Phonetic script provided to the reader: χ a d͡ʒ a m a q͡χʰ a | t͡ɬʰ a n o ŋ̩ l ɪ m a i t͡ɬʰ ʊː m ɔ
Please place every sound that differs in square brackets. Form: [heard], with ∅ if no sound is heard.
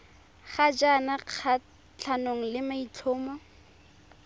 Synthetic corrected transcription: χ a d͡ʒ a [n] a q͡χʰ a | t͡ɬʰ a n o ŋ̩ l ɪ m a i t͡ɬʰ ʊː m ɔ